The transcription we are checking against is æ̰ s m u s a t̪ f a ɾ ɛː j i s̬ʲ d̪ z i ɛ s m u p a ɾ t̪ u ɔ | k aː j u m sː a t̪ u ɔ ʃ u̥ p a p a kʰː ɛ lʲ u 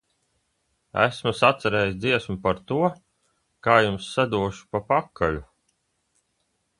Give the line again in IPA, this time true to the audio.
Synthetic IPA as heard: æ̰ s m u s a t̪ s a ɾ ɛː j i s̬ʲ d̪ z i ɛ s m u p a ɾ t̪ u ɔ | k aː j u m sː a d̪ u ɔ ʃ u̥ p a p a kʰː a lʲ u